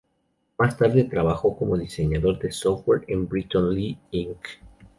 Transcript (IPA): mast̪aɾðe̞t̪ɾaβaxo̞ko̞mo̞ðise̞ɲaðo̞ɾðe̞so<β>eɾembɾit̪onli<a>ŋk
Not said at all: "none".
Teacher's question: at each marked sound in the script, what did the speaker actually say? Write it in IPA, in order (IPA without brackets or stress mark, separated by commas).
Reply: w, i